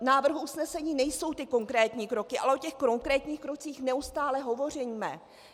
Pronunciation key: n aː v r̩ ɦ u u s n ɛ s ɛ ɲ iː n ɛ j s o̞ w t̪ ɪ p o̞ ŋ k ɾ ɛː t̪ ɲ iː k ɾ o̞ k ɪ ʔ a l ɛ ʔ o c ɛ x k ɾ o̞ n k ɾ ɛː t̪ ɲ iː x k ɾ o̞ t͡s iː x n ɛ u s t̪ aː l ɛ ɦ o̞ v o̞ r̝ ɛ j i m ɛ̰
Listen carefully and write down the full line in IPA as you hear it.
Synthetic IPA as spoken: n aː v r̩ ɦ u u s n ɛ s ɛ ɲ iː n ɛ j s o̞ w t̪ ɪ k o̞ ŋ k ɾ ɛː t̪ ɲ iː k ɾ o̞ k ɪ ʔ a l ɛ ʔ o c ɛ x k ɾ o̞ ŋ k ɾ ɛː t̪ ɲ iː x k ɾ o̞ t͡s iː x n ɛ u s t̪ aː l ɛ ɦ o̞ v o̞ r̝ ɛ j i m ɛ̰